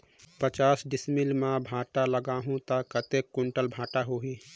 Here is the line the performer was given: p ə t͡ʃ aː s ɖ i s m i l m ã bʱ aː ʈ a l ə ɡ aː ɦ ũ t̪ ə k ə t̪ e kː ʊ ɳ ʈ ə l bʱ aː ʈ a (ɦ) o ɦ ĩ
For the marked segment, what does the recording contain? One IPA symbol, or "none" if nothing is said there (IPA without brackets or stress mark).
ɦ